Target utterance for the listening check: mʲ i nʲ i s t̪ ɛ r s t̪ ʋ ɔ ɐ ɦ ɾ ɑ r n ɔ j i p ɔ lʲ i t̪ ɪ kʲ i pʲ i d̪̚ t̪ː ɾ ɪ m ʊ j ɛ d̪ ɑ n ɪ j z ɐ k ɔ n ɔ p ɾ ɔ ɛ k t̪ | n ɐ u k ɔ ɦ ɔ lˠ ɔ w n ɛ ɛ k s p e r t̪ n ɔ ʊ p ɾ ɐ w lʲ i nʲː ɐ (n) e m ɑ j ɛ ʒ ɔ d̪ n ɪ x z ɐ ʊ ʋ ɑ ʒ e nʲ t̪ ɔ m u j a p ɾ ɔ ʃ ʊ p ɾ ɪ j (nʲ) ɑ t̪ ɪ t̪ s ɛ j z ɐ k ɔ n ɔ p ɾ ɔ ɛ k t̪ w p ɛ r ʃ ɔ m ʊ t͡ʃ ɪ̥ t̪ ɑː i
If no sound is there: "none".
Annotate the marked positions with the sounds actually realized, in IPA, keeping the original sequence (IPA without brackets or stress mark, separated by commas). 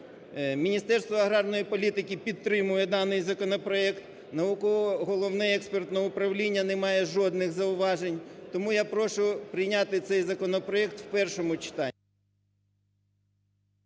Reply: n, nʲ